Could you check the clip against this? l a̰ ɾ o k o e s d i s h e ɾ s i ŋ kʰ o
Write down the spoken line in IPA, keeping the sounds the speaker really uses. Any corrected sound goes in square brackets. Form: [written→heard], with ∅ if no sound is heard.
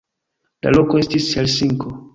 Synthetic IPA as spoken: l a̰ [ɾ→l] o k o e s [d→t] i s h e [ɾ→l] s i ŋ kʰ o